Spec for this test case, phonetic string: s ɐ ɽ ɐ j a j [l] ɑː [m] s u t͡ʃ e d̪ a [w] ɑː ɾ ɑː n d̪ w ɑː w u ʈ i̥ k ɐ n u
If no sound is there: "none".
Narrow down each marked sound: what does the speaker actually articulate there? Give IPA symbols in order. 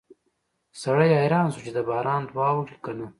ɾ, n, b

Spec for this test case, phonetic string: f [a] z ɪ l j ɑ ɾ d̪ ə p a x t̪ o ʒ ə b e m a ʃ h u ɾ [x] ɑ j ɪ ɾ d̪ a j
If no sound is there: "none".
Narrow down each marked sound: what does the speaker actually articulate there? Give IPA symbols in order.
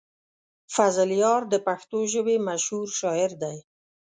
a, ʃ

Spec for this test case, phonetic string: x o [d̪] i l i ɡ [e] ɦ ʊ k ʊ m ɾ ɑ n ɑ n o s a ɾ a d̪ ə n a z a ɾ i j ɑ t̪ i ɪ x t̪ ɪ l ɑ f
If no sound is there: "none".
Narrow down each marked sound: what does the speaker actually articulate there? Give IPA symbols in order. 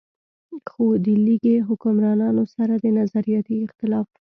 d̪, e

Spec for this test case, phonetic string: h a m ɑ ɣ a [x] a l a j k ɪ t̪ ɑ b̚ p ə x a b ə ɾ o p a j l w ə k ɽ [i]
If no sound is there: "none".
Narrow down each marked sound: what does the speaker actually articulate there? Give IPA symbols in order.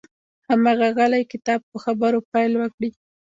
ɣ, i

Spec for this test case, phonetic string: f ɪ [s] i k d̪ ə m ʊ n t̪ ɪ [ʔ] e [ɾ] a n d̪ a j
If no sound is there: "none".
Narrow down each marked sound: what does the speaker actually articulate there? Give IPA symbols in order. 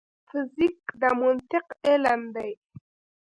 z, q, l

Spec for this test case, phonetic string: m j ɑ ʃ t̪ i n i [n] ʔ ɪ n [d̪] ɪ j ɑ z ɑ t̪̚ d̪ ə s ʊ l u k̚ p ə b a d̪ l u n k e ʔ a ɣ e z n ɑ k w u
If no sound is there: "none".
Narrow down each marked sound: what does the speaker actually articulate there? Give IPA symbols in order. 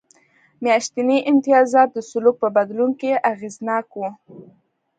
none, t̪

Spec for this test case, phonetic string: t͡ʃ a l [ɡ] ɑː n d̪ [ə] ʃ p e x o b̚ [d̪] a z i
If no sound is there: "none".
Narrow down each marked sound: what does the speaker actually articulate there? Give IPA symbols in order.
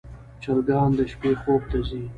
ɡ, ə, t̪

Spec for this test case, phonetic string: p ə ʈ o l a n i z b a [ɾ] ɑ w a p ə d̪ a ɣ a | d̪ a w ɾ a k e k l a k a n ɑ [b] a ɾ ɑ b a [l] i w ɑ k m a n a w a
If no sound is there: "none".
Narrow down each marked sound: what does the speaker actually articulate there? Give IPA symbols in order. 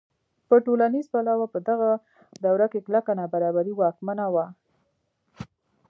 l, b, ɾ

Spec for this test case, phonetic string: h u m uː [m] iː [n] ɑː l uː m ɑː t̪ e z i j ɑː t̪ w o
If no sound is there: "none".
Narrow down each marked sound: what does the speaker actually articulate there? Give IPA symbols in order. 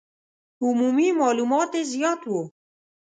m, m

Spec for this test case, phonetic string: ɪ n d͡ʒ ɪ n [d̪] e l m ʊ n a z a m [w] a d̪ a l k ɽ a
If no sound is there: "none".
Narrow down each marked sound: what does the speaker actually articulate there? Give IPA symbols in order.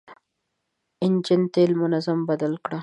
t̪, b

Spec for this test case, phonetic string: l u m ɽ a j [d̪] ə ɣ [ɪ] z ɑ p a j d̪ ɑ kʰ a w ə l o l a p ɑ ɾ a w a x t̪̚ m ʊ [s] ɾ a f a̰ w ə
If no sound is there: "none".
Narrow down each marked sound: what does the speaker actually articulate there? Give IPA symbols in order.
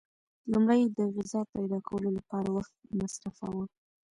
d̪, ɪ, s

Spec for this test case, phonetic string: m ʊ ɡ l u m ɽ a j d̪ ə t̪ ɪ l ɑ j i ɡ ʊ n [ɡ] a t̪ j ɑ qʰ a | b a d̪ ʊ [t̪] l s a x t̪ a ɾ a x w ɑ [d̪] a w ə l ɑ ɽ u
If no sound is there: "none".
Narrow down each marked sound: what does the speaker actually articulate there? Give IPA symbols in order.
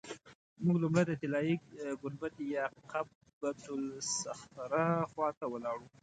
b, none, t̪

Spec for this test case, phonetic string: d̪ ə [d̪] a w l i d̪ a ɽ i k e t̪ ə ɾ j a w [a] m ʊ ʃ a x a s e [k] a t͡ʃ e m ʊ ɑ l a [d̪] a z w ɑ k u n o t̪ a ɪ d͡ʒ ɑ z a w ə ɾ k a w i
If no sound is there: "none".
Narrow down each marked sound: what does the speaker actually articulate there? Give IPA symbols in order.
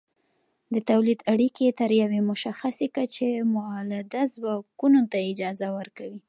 t̪, e, k, d̪

